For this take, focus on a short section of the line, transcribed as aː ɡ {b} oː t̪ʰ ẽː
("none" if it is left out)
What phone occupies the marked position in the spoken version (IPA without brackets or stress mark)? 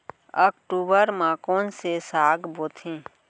b